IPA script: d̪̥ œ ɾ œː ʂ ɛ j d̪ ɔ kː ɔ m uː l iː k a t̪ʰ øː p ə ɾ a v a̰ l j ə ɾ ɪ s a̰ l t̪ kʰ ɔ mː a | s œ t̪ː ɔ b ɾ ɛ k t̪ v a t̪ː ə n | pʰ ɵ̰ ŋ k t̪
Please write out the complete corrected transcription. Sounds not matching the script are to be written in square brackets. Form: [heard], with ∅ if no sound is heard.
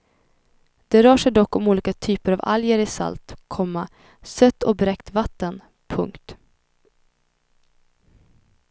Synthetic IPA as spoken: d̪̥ [ɛ] ɾ œː ʂ ɛ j d̪ ɔ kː ɔ m uː l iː k a t̪ʰ [yː] p ə ɾ a v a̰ l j ə ɾ ɪ s a̰ l t̪ kʰ ɔ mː a | s œ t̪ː ɔ b ɾ ɛ k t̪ v a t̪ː ə n | pʰ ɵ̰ ŋ k t̪